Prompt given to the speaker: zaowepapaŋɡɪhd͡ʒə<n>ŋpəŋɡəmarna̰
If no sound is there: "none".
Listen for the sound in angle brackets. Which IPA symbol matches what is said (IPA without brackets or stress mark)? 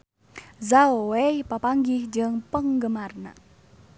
none